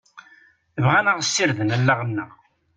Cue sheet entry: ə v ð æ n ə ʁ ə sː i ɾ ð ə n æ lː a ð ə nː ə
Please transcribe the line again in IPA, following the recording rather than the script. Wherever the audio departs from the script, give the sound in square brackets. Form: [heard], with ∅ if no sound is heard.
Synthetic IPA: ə v [ʁ] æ n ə ʁ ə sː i ɾ ð ə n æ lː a [ʁ] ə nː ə